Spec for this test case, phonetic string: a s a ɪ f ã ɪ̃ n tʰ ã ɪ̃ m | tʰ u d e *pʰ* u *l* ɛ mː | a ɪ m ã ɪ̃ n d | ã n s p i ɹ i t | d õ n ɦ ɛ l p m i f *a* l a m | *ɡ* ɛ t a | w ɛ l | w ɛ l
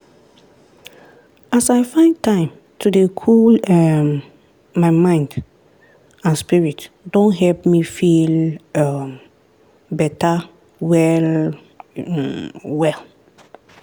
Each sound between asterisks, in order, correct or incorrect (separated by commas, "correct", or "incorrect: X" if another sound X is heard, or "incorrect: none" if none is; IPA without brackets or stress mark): incorrect: kʰ, correct, incorrect: i, incorrect: b